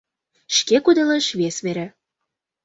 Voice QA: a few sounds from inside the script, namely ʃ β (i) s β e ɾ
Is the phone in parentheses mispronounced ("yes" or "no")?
yes